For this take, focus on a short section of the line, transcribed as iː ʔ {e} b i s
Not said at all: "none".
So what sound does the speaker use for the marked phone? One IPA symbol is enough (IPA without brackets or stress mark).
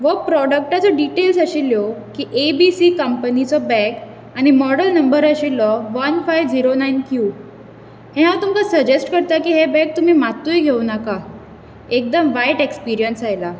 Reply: e